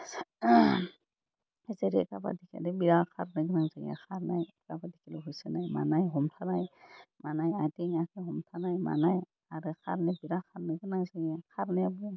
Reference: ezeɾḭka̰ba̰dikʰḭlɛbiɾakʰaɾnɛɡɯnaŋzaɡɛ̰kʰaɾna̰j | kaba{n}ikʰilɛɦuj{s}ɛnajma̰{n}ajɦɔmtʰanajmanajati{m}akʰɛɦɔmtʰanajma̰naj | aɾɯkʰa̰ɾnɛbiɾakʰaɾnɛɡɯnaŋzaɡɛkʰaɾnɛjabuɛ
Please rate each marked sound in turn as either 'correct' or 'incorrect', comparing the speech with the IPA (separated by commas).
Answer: incorrect, correct, correct, incorrect